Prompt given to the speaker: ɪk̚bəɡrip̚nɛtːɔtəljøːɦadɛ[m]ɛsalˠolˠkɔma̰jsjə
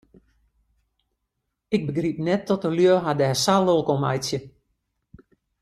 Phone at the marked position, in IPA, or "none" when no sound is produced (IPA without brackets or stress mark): none